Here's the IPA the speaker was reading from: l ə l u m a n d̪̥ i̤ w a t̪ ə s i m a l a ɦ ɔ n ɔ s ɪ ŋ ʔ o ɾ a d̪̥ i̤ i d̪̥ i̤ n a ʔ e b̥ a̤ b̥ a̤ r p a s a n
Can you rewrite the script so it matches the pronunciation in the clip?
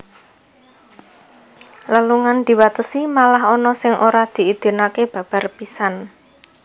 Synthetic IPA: l ə l u ŋ a n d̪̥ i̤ w a t̪ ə s i m a l a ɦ ɔ n ɔ s ɪ ŋ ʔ o ɾ a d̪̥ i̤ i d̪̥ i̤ n a k e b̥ a̤ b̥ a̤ r p i s a n